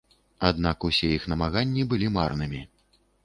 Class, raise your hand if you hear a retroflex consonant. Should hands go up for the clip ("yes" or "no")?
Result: no